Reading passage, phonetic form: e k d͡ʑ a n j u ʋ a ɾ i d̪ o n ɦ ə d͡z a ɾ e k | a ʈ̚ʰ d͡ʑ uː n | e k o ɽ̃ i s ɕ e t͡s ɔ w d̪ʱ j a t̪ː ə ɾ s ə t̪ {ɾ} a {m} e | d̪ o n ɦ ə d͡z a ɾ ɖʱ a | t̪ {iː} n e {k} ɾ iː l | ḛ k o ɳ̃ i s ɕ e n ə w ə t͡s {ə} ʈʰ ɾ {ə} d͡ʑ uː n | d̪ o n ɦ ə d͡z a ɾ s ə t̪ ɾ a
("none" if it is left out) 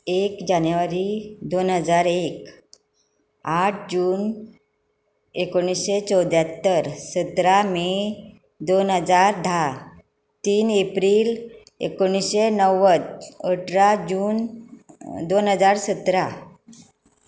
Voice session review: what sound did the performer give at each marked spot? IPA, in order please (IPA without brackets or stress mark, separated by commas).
ɾ, m, iː, p, ə, a